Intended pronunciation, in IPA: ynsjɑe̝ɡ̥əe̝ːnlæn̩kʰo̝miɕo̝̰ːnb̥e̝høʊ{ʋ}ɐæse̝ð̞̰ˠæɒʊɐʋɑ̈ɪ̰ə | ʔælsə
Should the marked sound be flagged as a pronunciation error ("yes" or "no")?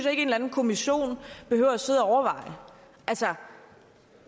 yes